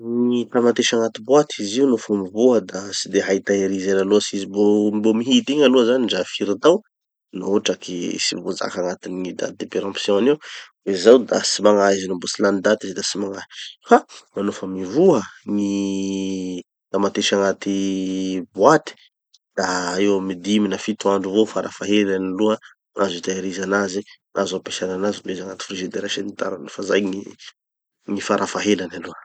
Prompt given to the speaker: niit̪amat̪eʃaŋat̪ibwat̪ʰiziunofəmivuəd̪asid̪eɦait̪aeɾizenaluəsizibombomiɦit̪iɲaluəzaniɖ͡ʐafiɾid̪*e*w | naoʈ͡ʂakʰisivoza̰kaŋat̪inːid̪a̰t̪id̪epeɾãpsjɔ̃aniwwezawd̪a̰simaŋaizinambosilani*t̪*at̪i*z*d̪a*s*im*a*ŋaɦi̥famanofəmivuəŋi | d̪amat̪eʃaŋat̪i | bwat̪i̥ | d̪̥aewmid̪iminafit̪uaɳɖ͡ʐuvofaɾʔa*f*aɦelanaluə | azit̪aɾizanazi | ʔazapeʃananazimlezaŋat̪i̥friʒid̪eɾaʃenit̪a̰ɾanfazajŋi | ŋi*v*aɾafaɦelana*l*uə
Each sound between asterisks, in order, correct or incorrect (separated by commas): incorrect, incorrect, correct, correct, correct, correct, incorrect, correct